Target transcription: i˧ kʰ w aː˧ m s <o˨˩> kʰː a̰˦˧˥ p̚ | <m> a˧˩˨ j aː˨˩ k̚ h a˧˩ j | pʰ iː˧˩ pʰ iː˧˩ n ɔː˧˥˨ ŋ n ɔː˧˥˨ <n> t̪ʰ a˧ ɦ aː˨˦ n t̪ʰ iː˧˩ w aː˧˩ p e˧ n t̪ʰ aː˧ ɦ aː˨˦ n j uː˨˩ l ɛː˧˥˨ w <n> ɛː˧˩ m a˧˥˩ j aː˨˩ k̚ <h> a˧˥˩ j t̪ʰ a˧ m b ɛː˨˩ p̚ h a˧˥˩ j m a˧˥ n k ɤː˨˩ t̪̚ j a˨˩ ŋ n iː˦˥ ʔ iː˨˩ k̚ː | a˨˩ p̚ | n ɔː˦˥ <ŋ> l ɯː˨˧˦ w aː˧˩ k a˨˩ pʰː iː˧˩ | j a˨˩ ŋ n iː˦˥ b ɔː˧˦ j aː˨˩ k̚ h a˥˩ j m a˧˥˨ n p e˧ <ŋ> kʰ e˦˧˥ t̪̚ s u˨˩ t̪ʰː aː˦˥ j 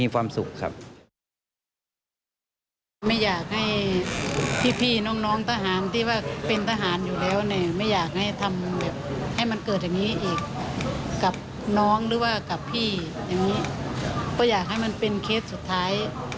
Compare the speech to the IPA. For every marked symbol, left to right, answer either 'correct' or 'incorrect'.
incorrect: u˨˩, correct, incorrect: ŋ, correct, correct, correct, incorrect: n

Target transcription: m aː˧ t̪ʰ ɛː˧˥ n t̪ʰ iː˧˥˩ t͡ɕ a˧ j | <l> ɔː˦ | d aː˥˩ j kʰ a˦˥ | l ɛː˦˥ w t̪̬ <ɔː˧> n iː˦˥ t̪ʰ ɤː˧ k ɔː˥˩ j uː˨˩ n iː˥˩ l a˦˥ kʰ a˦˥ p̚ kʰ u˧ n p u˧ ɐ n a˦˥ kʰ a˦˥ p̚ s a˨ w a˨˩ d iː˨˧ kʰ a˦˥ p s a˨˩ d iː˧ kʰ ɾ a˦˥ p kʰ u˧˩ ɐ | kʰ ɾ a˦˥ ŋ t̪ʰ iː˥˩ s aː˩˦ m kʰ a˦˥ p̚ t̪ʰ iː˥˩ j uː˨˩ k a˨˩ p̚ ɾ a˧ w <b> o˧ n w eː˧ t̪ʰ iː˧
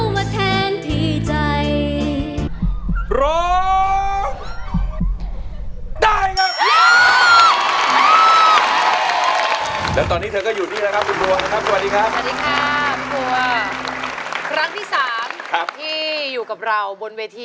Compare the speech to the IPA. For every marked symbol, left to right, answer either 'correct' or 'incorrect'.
incorrect: ɾ, correct, correct

